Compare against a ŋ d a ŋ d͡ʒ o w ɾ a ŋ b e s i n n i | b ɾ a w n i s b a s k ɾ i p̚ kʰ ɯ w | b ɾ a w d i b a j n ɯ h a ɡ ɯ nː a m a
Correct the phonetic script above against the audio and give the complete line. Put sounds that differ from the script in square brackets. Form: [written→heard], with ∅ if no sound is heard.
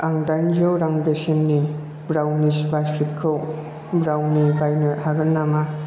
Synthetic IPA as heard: a ŋ d a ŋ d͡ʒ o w ɾ a ŋ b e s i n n i | b ɾ a w n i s b a s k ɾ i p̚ kʰ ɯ w | b ɾ a w [d→n] i b a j n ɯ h a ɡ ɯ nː a m a